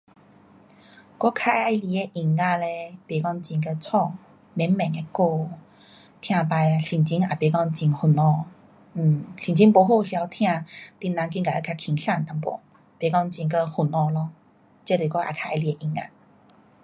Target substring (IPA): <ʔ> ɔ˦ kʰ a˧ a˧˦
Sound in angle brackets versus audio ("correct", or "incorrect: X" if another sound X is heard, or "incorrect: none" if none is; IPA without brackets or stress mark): incorrect: k